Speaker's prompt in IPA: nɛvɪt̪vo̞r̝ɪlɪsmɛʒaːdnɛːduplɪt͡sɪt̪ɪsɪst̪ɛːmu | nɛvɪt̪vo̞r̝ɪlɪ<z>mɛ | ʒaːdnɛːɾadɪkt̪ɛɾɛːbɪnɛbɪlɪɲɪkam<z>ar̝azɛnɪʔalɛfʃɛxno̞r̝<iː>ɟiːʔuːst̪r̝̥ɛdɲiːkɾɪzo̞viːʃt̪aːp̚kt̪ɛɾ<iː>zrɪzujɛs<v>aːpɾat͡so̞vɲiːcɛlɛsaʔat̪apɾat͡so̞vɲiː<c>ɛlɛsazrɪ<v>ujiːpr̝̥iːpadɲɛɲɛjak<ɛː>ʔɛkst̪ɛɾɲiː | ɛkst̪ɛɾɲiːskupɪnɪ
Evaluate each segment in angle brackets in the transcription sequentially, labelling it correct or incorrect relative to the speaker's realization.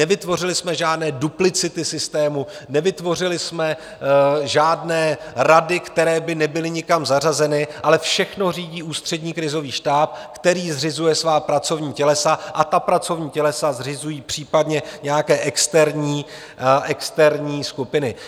incorrect: s, correct, correct, correct, correct, correct, incorrect: z, correct

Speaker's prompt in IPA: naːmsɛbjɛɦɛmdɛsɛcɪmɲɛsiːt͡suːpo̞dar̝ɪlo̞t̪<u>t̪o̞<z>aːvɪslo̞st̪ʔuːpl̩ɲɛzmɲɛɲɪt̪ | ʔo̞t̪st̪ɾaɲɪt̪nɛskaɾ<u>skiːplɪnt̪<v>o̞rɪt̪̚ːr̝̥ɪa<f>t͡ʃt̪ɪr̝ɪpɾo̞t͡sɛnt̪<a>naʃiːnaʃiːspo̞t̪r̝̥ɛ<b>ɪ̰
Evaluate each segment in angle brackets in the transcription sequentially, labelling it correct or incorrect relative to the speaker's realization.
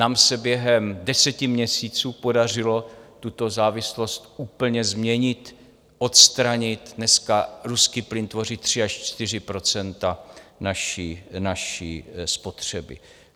correct, correct, correct, correct, incorrect: ʃ, correct, correct

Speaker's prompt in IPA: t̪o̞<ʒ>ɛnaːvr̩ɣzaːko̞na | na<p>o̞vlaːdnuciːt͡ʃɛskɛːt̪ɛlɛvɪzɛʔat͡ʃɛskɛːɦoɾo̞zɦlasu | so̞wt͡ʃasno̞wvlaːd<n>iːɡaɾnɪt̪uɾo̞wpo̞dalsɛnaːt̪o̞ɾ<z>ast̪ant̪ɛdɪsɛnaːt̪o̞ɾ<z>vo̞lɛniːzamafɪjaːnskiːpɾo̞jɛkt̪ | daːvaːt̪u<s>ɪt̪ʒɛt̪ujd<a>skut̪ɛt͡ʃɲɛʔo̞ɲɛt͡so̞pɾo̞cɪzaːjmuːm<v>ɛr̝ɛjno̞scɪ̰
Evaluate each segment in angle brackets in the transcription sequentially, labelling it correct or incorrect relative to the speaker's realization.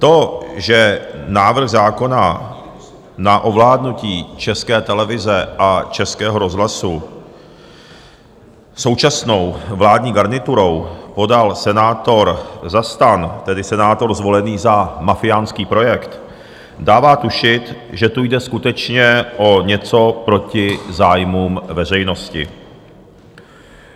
correct, incorrect: ʔ, incorrect: ɲ, correct, correct, incorrect: ʃ, incorrect: ɛ, correct

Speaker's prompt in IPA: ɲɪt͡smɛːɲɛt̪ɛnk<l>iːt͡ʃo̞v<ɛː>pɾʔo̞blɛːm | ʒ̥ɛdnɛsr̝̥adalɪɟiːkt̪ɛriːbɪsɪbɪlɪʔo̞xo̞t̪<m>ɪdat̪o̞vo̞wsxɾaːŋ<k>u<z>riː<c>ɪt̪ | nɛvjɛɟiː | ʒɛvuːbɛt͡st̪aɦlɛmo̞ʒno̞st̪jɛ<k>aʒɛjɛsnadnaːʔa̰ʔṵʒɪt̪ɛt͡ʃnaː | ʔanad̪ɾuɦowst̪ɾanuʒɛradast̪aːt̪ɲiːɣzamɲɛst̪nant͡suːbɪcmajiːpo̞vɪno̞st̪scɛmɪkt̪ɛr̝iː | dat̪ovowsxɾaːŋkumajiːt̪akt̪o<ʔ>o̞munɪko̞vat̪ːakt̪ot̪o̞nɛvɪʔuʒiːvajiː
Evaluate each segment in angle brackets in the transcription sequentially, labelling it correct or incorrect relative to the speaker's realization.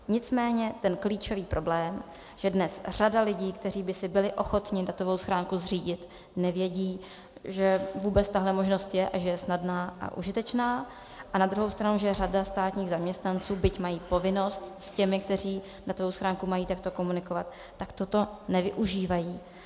correct, incorrect: iː, incorrect: ɲ, correct, correct, incorrect: ɟ, incorrect: ʔ, incorrect: k

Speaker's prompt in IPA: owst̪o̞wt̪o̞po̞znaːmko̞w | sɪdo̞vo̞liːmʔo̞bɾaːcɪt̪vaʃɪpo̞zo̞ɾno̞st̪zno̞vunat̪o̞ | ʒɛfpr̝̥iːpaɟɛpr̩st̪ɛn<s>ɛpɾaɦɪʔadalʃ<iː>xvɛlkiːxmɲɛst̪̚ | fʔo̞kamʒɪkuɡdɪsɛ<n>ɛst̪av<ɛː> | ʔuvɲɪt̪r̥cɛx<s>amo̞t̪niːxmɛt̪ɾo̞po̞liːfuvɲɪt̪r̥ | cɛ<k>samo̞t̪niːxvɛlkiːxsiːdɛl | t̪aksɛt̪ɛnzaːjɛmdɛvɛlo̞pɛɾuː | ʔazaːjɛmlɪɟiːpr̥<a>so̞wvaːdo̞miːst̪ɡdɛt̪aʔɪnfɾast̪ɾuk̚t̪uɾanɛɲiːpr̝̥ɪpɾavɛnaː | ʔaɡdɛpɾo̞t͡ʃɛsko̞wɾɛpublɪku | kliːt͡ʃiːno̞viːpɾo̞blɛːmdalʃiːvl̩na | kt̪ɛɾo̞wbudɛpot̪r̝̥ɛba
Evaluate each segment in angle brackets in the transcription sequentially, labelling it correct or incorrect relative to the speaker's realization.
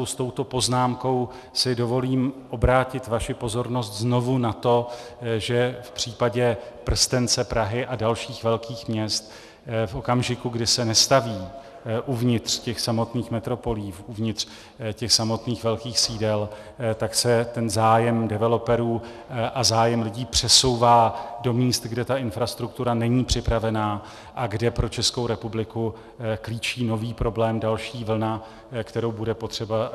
incorrect: t͡s, correct, correct, incorrect: iː, correct, incorrect: x, incorrect: ɛ

